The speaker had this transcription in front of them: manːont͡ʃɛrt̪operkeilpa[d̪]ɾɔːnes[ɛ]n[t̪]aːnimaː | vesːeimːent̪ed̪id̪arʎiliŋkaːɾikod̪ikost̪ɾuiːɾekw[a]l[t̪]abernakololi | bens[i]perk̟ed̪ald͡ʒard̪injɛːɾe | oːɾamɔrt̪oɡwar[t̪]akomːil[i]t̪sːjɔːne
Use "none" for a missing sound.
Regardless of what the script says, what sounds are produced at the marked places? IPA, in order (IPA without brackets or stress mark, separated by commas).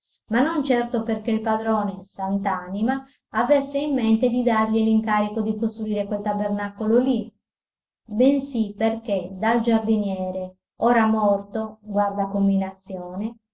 d̪, a, t̪, e, t̪, i, d̪, a